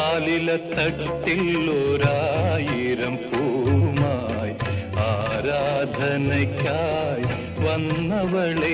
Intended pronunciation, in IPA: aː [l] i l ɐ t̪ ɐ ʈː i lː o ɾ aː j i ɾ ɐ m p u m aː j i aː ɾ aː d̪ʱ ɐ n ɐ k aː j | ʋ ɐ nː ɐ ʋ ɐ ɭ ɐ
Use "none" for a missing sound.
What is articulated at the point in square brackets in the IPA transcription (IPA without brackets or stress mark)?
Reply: l